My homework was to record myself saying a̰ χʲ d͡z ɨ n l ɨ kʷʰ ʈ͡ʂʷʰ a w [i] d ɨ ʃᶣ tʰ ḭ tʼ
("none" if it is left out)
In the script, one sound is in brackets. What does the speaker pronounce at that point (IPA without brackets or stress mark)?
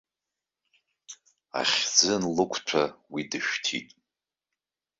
i